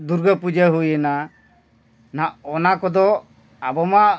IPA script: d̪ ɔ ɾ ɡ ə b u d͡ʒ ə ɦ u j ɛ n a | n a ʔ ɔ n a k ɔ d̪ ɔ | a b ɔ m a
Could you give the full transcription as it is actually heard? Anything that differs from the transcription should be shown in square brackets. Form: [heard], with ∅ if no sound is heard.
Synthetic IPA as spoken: d̪ [u] ɾ ɡ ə [p] u d͡ʒ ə ɦ u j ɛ n a | n a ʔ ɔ n a k ɔ d̪ ɔ | a b ɔ m a